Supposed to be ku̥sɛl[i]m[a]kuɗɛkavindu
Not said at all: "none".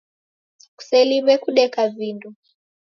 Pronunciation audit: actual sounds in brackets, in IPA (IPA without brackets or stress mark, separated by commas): i, ɛ